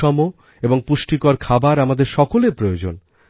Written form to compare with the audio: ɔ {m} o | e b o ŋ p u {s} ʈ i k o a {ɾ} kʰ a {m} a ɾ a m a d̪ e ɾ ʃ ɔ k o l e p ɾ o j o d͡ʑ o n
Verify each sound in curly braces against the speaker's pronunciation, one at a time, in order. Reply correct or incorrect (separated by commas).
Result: correct, incorrect, correct, incorrect